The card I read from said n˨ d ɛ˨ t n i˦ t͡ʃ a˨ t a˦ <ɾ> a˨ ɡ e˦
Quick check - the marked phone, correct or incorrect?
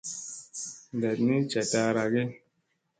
correct